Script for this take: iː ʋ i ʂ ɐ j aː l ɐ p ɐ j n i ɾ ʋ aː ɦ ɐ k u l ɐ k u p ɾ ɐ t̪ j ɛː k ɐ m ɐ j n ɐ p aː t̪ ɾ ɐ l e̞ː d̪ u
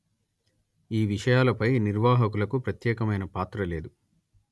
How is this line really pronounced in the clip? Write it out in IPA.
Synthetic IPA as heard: iː ʋ i ʂ ɐ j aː l ɐ p ɐ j n i ɾ ʋ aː ɦ ɐ k u l ɐ k u p ɾ ɐ t̪ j ɛː k ɐ m ɐ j n ɐ p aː t̪ ɾ ɐ l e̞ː d̪ u